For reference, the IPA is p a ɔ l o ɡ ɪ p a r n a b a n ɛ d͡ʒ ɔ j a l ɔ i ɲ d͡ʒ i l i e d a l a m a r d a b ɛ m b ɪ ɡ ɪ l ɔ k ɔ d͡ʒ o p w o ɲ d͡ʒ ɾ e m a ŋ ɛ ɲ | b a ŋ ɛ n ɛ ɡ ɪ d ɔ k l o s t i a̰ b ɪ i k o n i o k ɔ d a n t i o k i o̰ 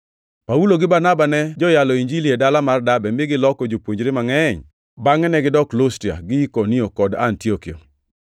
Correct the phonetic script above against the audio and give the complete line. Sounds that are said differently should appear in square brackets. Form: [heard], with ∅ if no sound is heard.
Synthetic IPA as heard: p a [u] l o ɡ ɪ [b] a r n a b a n ɛ d͡ʒ ɔ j a l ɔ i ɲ d͡ʒ i l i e d a l a m a r d a b ɛ m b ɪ ɡ ɪ l ɔ k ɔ d͡ʒ o p w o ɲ d͡ʒ ɾ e m a ŋ ɛ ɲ | b a ŋ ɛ n ɛ ɡ ɪ d ɔ k l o s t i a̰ [ɡ] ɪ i k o n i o k ɔ d a n t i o k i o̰

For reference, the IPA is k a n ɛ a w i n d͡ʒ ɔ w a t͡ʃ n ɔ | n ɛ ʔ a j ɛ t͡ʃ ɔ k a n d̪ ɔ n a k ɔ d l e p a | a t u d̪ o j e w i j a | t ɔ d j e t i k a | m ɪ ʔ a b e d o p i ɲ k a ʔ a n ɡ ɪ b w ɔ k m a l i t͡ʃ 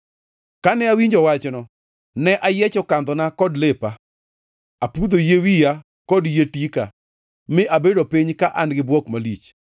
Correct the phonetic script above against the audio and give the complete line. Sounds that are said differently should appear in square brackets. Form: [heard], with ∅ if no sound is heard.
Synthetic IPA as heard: k a n ɛ a w i [ɲ] d͡ʒ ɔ w a t͡ʃ n ɔ | n ɛ ʔ a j ɛ t͡ʃ ɔ k a n d̪ ɔ n a k ɔ d l e p a | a [p] u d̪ o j e w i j a | [k] ɔ d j e t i k a | m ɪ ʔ a b e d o p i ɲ k a ʔ a n ɡ ɪ b w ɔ k m a l i t͡ʃ

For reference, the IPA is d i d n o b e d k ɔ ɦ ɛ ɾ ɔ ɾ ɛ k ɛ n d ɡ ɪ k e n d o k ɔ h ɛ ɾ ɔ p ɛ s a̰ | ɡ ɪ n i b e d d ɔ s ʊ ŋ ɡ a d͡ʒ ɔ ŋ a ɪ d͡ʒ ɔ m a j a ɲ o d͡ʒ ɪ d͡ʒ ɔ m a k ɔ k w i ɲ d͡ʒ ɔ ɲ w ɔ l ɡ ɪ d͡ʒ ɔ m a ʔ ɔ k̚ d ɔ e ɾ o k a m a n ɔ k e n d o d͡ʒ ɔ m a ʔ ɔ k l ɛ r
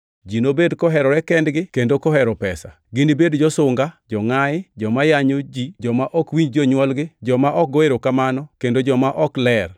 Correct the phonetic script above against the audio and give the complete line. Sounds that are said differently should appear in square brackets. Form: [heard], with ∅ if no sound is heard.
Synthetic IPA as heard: [d͡ʒ] i [∅] n o b e d k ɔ ɦ ɛ ɾ ɔ ɾ ɛ k ɛ n d ɡ ɪ k e n d o k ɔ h ɛ ɾ ɔ p ɛ s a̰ | ɡ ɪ n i b e d [d͡ʒ] ɔ s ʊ ŋ ɡ a d͡ʒ ɔ ŋ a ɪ d͡ʒ ɔ m a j a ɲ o d͡ʒ [i] d͡ʒ ɔ m a [ʔ] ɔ k w i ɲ d͡ʒ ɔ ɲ w ɔ l ɡ ɪ d͡ʒ ɔ m a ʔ ɔ k̚ [ɡ] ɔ e ɾ o k a m a n ɔ k e n d o d͡ʒ ɔ m a ʔ ɔ k l ɛ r

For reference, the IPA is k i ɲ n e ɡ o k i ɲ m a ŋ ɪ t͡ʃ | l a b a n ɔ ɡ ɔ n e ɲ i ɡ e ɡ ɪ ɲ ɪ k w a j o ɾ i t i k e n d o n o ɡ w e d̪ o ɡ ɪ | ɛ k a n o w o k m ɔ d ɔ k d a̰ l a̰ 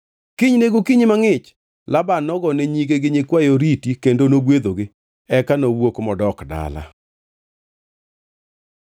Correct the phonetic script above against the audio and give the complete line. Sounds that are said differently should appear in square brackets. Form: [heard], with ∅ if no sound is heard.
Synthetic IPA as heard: k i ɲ n e ɡ o k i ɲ m a ŋ ɪ t͡ʃ | l a b a n ɔ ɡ ɔ n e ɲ i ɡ e ɡ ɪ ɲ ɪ k w a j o ɾ i t i k e n d o n o ɡ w e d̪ o ɡ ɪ | ɛ k a n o w o k m ɔ d ɔ k d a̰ l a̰

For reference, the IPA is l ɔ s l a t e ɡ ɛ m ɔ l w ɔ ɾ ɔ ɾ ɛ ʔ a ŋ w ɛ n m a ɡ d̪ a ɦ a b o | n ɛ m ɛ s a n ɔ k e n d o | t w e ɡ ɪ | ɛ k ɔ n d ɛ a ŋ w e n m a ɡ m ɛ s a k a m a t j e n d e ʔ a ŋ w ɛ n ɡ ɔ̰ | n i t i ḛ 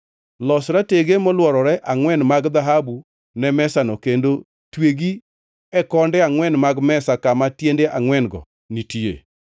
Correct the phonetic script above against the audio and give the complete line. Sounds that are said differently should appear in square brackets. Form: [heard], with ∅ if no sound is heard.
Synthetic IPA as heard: l ɔ s [ɾ] a t e ɡ [e] m ɔ l w ɔ ɾ ɔ ɾ ɛ ʔ a ŋ w ɛ n m a ɡ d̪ a ɦ a b [u] | n ɛ m ɛ s a n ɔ k e n d o | t w e ɡ [i] | ɛ k ɔ n d ɛ a ŋ w [ɛ] n m a ɡ m ɛ s a k a m a t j e n d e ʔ a ŋ w ɛ n ɡ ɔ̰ | n i t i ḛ

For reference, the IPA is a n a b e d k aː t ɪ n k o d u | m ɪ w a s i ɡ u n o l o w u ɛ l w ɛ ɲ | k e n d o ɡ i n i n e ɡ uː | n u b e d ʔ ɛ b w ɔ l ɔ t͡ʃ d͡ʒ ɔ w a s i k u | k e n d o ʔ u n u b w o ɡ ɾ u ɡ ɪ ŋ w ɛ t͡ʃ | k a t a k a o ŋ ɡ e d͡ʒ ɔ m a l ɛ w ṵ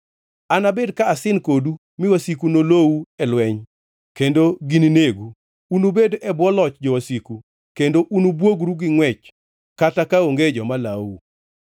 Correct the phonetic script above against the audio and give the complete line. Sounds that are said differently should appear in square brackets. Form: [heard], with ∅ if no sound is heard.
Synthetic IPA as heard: a n a b e d k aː [s] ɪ n k o d u | m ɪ w a s i [k] u n o l o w u ɛ l w ɛ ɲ | k e n d o ɡ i n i n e ɡ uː | n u b e d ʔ ɛ b w ɔ l ɔ t͡ʃ d͡ʒ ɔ w a s i k u | k e n d o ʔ u n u b w o ɡ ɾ u ɡ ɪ ŋ w ɛ t͡ʃ | k a t a k a o ŋ ɡ e d͡ʒ ɔ m a l [a] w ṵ

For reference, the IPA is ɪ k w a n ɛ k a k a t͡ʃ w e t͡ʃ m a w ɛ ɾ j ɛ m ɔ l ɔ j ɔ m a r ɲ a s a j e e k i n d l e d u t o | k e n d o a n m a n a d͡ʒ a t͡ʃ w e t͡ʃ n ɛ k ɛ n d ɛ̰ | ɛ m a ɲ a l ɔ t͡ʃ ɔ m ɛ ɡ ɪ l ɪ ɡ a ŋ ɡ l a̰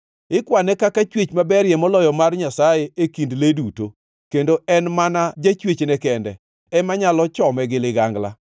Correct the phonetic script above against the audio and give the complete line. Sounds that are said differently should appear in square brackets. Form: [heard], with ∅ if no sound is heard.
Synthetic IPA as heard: ɪ k w a n ɛ k a k a t͡ʃ w e t͡ʃ m a [b] ɛ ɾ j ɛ m ɔ l ɔ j ɔ m a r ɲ a s a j e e k i n d l e d u t o | k e n d o [ɛ] n m a n a d͡ʒ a t͡ʃ w e t͡ʃ n ɛ k ɛ n d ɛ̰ | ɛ m a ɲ a l ɔ t͡ʃ ɔ m ɛ ɡ ɪ l ɪ ɡ a ŋ ɡ l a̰

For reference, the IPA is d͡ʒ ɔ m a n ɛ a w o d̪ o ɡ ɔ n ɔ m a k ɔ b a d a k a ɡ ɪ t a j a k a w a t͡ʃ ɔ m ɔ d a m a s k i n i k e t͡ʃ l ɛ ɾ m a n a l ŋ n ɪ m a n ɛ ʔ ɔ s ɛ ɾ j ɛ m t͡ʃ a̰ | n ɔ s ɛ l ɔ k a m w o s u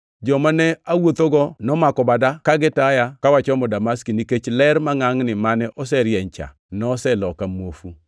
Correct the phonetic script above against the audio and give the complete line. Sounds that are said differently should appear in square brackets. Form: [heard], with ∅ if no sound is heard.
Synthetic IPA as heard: d͡ʒ ɔ m a n ɛ a w o [t̪] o ɡ ɔ n ɔ m a k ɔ b a d a k a ɡ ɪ t a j a k a w a t͡ʃ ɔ m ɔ d a m a s k i n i k e t͡ʃ l ɛ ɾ m a [ŋ] a [∅] ŋ n ɪ m a n ɛ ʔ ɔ s ɛ ɾ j ɛ [ɲ] t͡ʃ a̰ | n ɔ s ɛ l ɔ k a m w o [f] u

